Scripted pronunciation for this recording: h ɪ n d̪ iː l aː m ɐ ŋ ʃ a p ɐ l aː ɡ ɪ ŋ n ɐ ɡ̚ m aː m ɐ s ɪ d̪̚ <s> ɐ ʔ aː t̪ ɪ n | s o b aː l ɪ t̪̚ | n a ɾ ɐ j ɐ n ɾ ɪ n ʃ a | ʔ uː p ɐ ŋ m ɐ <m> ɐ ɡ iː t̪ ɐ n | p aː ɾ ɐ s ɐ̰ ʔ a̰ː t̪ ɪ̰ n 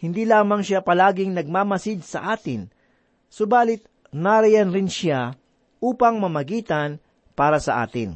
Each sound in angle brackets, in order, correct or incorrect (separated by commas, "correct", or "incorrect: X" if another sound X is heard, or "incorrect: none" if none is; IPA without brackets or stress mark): correct, correct